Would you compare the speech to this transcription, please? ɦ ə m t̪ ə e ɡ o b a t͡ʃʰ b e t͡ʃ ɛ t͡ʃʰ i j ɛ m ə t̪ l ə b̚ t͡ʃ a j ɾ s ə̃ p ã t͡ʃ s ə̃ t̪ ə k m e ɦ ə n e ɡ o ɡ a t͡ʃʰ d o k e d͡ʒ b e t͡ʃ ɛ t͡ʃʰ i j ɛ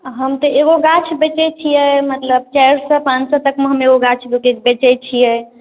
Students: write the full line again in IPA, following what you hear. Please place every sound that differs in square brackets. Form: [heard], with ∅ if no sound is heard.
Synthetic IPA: ɦ ə m t̪ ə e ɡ o [ɡ] a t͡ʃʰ b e t͡ʃ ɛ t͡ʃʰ i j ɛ m ə t̪ l ə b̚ t͡ʃ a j ɾ s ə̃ p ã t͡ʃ s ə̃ t̪ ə k m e ɦ ə [m] e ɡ o ɡ a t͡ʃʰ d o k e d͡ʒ b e t͡ʃ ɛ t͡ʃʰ i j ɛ

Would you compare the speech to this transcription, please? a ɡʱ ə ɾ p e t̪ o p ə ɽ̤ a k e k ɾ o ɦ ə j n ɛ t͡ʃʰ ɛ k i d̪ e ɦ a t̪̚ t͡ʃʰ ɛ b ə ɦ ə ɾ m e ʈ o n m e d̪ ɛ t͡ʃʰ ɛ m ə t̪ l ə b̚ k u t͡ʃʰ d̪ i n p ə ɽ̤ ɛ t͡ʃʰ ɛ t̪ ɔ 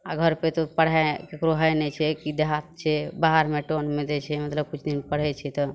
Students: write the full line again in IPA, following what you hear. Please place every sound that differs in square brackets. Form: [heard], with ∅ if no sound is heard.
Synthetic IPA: a ɡʱ ə ɾ p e t̪ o p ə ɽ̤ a k e k ɾ o ɦ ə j n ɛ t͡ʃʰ ɛ k i d̪ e ɦ a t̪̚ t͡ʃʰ ɛ b [a] ɦ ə ɾ m e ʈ o n m e d̪ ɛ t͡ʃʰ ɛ m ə t̪ l ə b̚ k u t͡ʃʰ d̪ i n p ə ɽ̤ ɛ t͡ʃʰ ɛ t̪ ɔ

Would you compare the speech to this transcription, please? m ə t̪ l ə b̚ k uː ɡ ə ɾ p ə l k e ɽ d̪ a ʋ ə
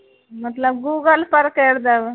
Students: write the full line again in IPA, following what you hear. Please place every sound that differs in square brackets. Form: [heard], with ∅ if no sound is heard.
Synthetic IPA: m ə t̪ l ə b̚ [ɡ] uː ɡ ə [l] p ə [ɾ] k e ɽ d̪ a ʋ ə

